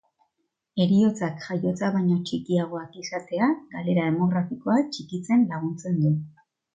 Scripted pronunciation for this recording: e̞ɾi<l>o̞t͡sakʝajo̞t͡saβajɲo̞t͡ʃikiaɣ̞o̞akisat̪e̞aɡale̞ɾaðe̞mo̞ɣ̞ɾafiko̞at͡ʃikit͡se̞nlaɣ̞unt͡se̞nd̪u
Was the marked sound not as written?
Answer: yes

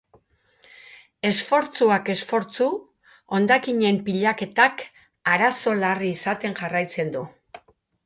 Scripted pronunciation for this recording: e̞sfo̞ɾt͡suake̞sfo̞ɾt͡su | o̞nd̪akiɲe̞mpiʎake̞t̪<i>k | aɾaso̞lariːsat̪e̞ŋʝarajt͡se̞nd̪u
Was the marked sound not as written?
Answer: yes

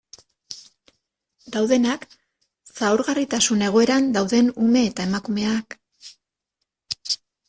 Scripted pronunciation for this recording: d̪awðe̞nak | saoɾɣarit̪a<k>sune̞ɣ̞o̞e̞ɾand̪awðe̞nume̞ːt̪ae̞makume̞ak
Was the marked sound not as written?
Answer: yes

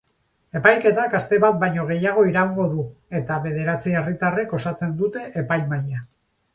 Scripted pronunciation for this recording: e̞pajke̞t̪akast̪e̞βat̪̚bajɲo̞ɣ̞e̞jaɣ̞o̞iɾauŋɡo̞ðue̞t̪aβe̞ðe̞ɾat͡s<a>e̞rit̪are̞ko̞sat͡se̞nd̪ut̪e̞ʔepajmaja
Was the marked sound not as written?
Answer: yes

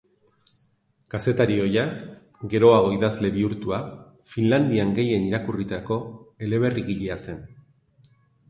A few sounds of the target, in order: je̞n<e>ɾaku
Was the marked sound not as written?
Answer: yes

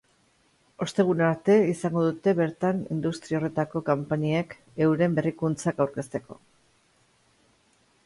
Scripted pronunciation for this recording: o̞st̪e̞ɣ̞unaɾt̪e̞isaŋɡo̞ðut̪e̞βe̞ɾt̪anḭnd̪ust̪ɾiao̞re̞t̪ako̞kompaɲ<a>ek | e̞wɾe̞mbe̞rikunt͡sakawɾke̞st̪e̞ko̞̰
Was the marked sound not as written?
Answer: yes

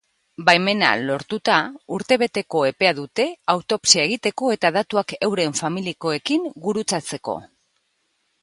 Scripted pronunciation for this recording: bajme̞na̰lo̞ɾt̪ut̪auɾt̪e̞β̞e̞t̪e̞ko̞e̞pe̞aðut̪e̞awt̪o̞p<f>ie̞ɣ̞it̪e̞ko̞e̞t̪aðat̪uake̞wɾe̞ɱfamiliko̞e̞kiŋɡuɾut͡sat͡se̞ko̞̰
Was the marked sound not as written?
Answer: yes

